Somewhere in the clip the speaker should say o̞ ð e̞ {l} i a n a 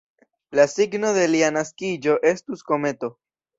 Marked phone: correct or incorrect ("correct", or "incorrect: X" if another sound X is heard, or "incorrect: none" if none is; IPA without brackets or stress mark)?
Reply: correct